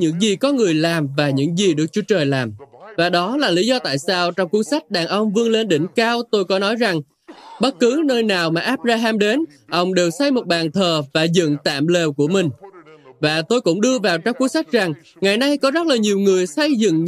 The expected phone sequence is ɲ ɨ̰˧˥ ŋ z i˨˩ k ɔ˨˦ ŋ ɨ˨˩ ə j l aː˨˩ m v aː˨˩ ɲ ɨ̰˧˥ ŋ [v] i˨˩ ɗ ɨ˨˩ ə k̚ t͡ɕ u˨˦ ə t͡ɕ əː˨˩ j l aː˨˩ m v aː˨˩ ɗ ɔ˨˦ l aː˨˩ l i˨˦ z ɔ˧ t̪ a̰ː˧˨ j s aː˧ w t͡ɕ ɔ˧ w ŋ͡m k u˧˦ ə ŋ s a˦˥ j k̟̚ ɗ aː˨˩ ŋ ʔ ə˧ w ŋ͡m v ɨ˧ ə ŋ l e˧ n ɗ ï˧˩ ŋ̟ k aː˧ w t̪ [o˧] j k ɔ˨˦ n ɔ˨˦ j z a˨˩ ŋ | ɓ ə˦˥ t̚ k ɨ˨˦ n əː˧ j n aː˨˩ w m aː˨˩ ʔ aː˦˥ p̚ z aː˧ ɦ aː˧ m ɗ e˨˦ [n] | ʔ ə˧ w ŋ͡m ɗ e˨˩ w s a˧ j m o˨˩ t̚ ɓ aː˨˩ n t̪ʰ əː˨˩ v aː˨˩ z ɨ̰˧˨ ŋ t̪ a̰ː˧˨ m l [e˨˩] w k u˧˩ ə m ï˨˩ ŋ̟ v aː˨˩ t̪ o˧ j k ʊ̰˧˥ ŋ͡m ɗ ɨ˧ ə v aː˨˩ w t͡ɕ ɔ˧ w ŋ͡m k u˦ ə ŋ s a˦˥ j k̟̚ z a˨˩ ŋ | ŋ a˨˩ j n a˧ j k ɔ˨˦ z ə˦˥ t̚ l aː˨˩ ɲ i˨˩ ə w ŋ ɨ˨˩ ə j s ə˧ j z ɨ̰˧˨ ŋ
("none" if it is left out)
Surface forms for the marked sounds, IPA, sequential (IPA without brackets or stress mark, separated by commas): z, o˧, n, e˨˩